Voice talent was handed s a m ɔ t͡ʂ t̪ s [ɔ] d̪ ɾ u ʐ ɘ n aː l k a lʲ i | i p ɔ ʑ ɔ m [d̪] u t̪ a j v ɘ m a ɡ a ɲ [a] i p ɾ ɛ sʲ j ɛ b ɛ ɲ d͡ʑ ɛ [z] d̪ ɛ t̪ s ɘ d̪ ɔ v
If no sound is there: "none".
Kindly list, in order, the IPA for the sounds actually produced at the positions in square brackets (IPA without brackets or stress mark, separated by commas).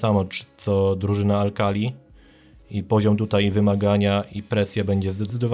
ɔ, t̪, a, z